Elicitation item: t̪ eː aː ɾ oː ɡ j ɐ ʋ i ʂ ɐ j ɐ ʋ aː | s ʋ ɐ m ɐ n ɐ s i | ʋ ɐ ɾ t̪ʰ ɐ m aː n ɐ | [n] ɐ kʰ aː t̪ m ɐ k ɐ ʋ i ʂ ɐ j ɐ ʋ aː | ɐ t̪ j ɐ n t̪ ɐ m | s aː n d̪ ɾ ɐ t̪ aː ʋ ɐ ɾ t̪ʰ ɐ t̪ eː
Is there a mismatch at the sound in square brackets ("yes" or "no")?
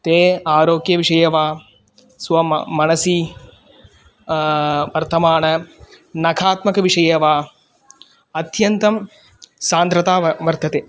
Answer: no